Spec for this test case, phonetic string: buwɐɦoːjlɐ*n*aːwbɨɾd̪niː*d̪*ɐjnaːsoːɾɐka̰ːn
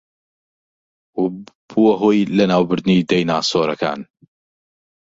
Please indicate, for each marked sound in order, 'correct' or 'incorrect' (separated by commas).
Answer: correct, correct